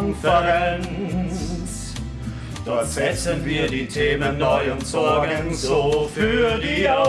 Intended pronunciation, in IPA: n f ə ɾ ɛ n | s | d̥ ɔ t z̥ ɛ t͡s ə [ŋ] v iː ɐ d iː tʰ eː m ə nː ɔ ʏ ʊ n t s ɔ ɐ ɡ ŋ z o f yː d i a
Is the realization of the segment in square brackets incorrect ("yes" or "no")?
yes